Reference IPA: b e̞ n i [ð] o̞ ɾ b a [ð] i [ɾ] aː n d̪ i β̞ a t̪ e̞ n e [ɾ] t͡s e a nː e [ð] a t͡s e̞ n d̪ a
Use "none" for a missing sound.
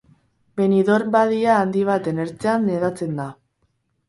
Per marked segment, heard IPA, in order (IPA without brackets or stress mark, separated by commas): ð, ð, none, ɾ, ð